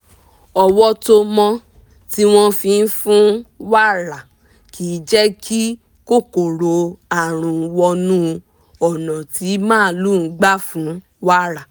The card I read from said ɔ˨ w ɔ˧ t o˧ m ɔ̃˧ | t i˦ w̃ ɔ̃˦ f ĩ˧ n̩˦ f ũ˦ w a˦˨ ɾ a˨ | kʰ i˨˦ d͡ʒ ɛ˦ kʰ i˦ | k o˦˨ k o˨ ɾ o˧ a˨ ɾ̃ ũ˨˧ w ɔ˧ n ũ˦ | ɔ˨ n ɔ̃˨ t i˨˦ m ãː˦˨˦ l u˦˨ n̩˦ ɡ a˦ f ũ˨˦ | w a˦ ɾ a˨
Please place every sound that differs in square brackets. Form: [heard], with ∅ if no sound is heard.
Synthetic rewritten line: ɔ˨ w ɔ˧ t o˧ m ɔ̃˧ | t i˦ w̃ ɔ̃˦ f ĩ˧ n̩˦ f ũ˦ w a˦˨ ɾ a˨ | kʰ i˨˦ d͡ʒ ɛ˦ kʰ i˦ | k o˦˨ k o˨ ɾ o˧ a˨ ɾ̃ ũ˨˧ w ɔ˧ n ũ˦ | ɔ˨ n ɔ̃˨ t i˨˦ m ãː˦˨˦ l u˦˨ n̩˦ [ɡ͡b] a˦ f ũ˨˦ | w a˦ ɾ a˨